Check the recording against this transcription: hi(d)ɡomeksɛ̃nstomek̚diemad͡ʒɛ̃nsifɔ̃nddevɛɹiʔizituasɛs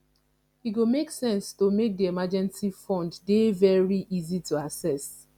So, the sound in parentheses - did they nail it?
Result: no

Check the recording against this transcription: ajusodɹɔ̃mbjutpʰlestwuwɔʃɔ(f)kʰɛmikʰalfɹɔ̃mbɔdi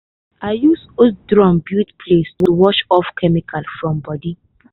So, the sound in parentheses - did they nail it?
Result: yes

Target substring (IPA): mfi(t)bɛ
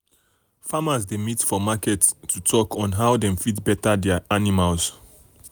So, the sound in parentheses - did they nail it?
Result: yes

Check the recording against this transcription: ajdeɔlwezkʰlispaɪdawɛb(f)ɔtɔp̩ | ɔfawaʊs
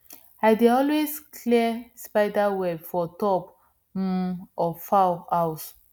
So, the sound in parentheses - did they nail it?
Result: yes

